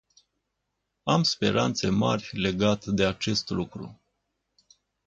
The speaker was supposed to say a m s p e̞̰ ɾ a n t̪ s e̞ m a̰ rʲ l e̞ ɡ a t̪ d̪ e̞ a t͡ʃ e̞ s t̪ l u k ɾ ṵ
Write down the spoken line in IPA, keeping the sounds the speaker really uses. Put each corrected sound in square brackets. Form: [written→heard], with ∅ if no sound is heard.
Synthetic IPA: a m s p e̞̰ ɾ a n t̪ s e̞ m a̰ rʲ l e̞ ɡ a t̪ d̪ e̞ a t͡ʃ e̞ s t̪ l u k ɾ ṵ